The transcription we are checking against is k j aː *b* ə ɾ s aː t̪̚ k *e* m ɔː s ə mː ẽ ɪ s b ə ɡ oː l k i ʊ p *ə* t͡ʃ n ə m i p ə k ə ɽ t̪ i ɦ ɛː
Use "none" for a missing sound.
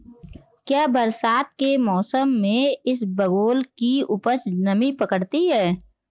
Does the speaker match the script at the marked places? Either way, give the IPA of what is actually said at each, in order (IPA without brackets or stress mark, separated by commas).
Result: b, e, ə